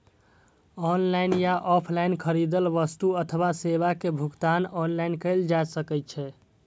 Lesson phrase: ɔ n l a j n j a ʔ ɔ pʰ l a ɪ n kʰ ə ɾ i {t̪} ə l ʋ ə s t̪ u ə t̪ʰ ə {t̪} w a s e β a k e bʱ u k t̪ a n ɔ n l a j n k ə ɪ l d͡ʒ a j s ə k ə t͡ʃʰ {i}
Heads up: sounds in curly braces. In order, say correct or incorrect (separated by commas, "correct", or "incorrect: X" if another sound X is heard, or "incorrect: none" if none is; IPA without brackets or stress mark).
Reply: incorrect: d̪, incorrect: none, incorrect: ɛ